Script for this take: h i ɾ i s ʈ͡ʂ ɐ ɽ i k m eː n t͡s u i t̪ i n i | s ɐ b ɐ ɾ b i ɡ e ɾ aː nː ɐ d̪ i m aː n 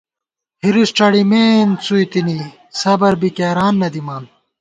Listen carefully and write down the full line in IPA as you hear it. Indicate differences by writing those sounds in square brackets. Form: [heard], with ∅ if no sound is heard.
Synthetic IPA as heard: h i ɾ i s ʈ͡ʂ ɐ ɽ i [∅] m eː n t͡s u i t̪ i n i | s ɐ b ɐ ɾ b i [k] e ɾ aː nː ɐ d̪ i m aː n